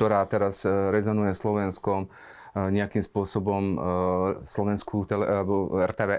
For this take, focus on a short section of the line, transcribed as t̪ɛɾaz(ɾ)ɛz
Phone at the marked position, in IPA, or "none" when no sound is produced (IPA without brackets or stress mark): ɾ